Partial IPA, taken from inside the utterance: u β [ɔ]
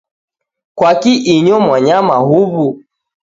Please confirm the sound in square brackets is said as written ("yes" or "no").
no